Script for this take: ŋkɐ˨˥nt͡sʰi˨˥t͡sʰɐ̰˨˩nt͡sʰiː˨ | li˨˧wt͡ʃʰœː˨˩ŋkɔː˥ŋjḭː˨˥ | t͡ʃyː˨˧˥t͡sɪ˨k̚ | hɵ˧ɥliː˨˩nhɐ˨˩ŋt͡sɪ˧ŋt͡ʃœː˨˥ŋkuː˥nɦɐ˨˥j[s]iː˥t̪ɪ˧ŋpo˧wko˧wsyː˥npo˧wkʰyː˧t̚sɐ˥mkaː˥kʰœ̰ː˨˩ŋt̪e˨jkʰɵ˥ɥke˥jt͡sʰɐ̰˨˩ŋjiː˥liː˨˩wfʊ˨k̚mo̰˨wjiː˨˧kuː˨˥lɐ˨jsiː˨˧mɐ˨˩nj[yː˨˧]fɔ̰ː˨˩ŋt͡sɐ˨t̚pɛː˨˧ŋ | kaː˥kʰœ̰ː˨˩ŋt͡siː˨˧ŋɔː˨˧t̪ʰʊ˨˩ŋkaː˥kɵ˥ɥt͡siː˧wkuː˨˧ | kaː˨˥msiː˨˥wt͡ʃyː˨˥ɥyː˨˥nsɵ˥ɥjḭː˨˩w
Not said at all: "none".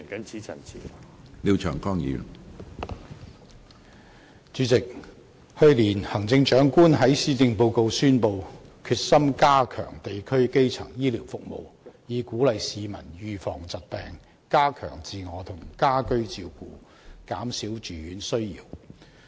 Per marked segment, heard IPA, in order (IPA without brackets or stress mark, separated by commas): s, yː˨˧